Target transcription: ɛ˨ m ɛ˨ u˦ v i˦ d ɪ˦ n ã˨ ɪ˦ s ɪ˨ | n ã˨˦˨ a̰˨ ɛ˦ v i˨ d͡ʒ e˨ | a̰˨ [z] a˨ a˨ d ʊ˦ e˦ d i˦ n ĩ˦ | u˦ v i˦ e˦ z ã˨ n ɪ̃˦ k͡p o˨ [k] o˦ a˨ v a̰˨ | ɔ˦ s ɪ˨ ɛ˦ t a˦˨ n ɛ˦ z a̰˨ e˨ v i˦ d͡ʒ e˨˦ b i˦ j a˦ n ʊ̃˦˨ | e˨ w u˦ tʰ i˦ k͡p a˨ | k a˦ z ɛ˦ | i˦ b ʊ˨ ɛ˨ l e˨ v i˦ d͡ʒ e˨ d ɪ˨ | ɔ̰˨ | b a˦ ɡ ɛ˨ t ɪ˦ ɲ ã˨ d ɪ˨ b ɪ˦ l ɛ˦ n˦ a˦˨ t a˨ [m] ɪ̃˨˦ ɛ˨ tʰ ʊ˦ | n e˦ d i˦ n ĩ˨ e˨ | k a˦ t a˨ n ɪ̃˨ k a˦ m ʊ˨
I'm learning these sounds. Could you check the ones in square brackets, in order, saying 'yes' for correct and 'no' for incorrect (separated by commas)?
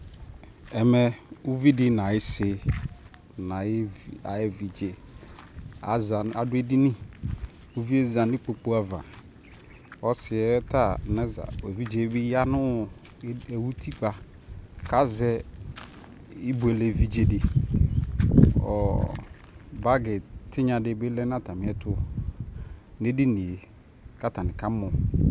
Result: yes, no, yes